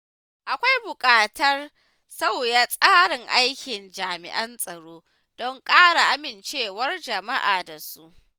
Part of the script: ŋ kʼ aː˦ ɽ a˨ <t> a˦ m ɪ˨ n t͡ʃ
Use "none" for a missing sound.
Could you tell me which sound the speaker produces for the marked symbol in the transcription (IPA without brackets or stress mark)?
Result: ʔ